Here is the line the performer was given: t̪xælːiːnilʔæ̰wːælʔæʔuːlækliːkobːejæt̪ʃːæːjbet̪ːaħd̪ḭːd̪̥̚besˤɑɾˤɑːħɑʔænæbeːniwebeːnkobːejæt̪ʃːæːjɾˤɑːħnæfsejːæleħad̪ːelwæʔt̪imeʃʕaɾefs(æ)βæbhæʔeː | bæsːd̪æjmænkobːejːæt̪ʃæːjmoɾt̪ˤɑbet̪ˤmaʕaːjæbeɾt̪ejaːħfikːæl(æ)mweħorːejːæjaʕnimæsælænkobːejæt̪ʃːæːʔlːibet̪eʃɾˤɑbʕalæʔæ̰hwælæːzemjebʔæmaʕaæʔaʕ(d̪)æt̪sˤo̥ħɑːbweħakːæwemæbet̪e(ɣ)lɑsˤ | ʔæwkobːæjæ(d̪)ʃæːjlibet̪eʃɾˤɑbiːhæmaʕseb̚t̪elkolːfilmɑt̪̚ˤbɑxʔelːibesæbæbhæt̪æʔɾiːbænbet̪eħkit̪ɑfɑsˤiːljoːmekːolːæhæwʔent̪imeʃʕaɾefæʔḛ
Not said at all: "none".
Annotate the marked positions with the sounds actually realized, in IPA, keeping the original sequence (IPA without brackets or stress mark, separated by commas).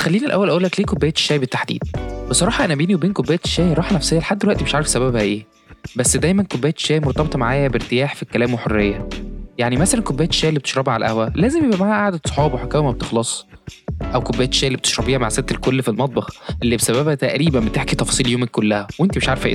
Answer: æ, æː, d̪, x, t̪